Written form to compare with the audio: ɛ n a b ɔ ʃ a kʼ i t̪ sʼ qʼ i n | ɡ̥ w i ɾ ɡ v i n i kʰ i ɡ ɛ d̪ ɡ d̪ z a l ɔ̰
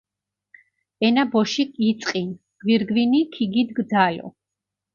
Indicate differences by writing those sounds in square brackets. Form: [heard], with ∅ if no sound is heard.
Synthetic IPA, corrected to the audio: ɛ n a b ɔ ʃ [i] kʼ i t̪ sʼ qʼ i n | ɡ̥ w i ɾ ɡ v i n i kʰ i ɡ [i] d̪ ɡ d̪ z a l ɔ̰